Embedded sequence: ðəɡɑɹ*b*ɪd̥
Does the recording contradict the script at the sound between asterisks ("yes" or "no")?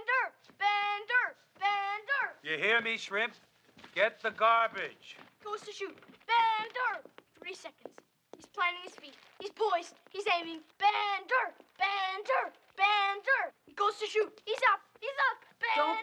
no